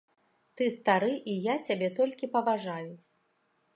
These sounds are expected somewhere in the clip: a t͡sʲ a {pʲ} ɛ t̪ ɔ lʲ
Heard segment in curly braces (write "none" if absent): bʲ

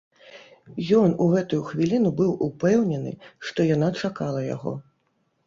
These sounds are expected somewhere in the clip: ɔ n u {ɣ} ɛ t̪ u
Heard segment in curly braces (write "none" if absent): ɣ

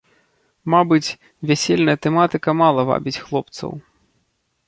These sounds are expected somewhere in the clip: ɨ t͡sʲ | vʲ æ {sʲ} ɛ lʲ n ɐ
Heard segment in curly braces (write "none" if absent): sʲ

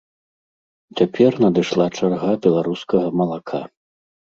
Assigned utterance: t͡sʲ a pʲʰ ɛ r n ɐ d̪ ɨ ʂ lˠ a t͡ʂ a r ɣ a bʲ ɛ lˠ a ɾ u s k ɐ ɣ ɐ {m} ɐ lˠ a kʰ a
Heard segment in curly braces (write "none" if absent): m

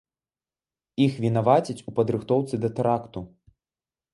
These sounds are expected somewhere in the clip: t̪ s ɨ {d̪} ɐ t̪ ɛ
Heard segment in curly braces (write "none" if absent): d̪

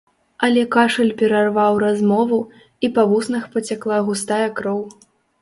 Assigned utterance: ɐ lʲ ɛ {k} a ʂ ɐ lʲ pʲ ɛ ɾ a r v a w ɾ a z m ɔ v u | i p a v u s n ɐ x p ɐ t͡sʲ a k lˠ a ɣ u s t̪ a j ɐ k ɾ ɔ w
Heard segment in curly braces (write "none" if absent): k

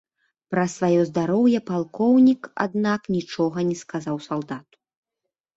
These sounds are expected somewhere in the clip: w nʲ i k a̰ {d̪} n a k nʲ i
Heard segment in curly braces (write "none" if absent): d̪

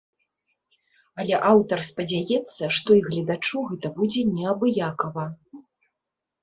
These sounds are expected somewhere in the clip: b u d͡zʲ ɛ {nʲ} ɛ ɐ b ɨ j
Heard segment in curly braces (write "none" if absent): nʲ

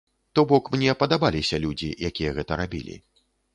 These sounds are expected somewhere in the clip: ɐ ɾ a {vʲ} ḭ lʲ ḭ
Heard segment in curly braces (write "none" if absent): bʲ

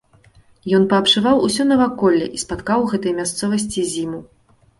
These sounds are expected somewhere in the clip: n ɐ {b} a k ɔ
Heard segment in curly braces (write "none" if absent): v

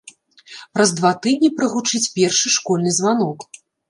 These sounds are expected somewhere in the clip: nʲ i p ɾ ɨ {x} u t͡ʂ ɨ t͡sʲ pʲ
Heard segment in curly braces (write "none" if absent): ɣ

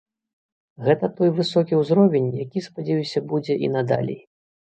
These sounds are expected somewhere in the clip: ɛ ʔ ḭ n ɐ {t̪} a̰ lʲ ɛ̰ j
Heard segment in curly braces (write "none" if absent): d̪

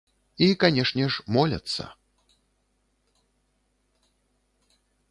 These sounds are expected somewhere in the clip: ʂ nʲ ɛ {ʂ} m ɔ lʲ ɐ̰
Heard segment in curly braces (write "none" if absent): ʂ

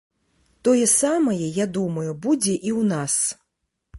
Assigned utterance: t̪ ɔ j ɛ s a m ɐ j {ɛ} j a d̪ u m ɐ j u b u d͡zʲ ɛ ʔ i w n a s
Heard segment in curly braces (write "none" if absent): ɛ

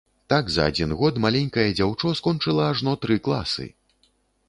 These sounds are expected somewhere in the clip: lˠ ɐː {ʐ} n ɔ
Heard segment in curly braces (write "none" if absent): ʐ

